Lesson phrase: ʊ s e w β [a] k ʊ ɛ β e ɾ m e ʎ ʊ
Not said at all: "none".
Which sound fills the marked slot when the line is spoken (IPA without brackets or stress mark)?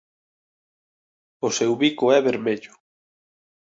i